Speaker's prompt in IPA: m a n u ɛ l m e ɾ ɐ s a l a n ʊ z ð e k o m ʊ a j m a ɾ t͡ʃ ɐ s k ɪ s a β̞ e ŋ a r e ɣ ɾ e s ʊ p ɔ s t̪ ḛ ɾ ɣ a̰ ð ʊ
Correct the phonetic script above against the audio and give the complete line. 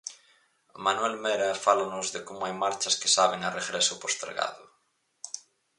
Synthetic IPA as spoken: m a n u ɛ l m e ɾ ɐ f a l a n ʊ z ð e k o m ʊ a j m a ɾ t͡ʃ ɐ s k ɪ s a β̞ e ŋ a r e ɣ ɾ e s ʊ p o s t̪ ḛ ɾ ɣ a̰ ð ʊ